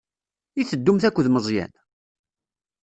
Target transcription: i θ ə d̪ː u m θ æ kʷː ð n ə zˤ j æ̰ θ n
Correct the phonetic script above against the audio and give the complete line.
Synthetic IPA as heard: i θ ə d̪ː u m θ æ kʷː ð m ə zˤ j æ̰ n